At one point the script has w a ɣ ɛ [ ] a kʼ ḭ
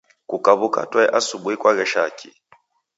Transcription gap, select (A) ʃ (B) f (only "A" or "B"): A